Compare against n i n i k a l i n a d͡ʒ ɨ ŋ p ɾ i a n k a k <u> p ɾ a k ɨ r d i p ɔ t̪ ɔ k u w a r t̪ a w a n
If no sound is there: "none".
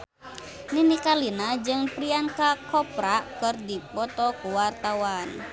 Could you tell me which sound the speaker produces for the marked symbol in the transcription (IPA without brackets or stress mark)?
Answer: ɔ